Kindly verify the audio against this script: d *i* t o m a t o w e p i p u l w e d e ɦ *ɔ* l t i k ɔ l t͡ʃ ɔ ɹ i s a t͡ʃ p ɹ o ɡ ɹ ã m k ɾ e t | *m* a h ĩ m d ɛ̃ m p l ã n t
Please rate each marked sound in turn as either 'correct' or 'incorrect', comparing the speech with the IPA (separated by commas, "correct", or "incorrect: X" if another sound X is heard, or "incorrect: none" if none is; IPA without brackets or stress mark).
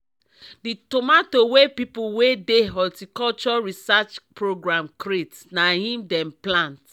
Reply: correct, correct, incorrect: n